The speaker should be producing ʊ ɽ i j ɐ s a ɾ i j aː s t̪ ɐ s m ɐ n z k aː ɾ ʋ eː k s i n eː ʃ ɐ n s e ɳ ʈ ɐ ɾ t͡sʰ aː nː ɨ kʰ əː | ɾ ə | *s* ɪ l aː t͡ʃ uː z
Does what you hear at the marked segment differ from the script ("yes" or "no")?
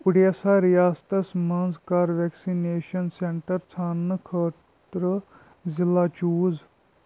yes